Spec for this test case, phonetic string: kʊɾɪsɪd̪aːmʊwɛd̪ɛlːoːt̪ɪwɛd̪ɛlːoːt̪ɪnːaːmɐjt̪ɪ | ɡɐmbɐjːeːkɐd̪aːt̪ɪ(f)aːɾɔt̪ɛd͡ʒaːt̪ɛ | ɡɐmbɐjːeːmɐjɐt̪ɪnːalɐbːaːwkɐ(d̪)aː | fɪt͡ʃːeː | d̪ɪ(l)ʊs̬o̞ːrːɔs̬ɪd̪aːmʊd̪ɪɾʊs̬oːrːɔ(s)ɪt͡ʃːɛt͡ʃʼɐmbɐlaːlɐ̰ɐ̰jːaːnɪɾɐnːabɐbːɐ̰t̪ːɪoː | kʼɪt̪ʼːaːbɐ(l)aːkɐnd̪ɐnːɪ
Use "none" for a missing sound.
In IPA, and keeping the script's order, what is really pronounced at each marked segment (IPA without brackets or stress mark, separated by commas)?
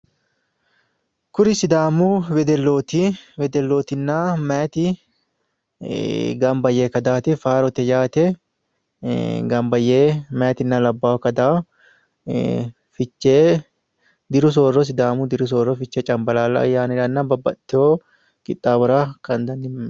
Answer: f, d̪, ɾ, f, ɾ